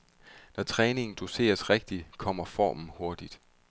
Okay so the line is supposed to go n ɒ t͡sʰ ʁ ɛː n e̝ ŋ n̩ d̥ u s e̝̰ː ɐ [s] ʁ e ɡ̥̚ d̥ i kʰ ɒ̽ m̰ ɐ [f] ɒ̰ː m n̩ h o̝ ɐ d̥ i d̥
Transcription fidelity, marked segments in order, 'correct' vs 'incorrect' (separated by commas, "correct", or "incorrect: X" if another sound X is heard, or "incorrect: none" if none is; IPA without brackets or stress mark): correct, correct